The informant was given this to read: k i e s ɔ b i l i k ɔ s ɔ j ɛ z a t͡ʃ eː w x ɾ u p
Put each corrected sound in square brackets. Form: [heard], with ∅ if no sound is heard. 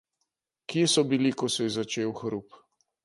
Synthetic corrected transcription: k i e s ɔ b i l i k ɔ s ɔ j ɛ z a t͡ʃ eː w x ɾ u p